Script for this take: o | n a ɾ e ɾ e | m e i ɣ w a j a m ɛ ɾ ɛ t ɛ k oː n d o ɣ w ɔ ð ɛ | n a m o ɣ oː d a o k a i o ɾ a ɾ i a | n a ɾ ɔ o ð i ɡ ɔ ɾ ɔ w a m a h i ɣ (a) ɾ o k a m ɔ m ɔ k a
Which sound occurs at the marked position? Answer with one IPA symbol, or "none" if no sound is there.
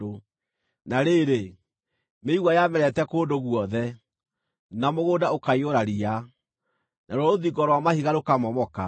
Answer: a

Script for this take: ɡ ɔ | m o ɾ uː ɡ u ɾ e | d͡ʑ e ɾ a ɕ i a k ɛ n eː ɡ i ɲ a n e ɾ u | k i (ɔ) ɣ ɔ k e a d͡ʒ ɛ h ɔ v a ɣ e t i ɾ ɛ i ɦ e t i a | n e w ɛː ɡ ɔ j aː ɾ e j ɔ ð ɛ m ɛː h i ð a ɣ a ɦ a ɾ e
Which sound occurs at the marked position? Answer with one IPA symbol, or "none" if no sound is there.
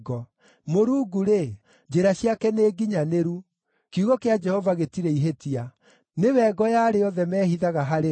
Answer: u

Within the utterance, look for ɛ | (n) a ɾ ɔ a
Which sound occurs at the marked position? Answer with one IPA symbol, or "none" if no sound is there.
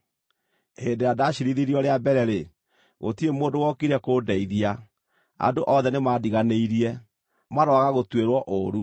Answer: m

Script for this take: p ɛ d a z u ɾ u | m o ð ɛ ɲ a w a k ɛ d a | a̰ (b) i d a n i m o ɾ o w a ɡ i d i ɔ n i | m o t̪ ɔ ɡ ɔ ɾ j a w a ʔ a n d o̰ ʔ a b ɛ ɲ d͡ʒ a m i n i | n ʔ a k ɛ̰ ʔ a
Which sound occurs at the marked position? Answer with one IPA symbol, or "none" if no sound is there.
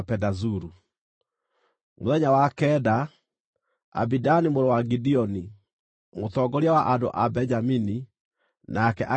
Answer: b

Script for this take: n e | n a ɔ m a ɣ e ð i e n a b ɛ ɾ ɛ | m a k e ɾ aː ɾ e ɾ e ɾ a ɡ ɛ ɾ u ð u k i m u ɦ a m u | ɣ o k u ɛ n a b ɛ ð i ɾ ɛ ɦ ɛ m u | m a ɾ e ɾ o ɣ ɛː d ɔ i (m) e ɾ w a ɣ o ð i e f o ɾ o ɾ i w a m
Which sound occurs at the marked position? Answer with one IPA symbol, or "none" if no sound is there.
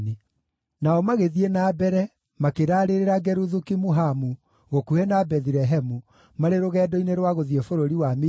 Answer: n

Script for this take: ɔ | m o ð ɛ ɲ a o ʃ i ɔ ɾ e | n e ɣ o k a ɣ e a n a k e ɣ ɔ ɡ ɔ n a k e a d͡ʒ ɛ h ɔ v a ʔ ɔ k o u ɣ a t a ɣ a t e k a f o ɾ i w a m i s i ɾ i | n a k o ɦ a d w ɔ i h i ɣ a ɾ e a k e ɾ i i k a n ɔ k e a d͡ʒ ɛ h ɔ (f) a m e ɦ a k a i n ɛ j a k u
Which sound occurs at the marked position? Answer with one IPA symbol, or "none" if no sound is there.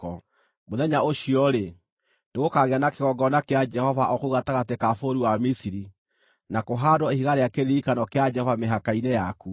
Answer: v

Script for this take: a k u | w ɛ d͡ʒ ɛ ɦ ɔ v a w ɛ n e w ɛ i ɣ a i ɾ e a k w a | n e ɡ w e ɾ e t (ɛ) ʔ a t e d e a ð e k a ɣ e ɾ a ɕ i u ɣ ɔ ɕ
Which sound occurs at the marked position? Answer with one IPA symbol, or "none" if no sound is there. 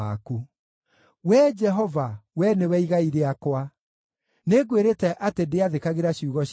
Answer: ɛ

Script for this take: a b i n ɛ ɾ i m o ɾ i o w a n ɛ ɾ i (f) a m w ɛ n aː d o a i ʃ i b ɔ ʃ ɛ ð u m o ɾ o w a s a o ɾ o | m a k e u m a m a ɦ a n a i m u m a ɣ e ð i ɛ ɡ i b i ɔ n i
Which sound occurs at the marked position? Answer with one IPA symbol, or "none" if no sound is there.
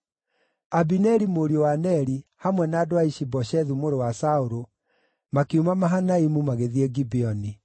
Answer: h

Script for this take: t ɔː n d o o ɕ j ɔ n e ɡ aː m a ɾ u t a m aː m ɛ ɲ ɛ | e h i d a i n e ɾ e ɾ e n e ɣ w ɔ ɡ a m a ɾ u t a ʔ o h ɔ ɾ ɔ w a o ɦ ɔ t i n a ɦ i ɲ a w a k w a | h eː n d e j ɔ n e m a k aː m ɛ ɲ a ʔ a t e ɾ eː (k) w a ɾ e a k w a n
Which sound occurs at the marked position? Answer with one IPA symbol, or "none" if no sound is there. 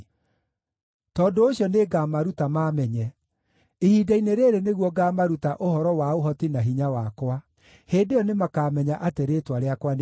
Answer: t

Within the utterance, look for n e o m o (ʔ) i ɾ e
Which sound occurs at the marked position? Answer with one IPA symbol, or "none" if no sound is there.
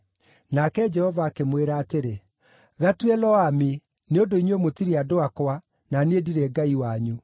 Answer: t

